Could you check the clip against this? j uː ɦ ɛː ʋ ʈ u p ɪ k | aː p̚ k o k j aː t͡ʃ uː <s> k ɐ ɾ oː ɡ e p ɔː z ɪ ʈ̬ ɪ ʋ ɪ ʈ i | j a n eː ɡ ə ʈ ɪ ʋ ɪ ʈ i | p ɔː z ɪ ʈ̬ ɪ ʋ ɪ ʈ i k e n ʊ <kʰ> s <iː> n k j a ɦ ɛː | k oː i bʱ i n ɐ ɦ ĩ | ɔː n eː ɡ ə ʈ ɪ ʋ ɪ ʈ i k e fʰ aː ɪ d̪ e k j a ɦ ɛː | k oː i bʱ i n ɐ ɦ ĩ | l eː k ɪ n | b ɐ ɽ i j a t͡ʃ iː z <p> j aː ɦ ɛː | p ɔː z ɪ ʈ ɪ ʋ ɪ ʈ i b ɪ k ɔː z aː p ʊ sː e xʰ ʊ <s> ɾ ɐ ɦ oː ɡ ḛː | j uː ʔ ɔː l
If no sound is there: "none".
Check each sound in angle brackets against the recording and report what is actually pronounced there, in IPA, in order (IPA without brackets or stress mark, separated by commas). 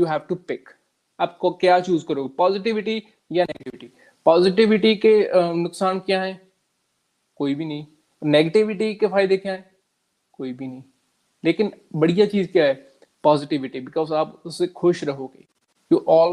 z, k, aː, k, ʃ